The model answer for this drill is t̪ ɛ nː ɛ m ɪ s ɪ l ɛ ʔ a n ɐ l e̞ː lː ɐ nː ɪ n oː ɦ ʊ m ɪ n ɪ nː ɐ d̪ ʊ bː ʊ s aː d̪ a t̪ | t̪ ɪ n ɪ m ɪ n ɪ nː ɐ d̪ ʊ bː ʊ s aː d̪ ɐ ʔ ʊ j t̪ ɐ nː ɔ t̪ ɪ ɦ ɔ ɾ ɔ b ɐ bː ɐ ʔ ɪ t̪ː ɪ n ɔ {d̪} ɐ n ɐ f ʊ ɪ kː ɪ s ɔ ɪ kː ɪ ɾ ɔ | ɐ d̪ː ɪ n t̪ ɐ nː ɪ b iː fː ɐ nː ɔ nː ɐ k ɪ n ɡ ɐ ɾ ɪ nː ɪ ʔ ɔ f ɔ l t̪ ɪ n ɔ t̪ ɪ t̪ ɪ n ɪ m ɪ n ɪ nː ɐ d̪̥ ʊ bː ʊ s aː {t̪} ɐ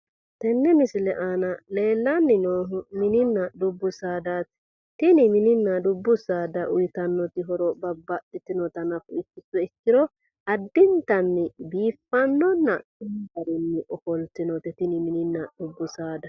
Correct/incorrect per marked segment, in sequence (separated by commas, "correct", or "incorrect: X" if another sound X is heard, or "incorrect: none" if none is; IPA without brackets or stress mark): incorrect: t̪, incorrect: d̪